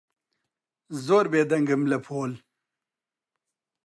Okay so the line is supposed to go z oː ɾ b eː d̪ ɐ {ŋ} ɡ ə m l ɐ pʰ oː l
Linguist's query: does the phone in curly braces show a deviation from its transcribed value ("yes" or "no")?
no